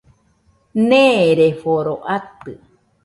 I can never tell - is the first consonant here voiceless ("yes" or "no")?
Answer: no